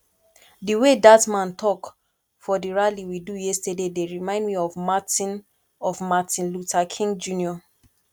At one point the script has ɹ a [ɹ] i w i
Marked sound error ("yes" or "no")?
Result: yes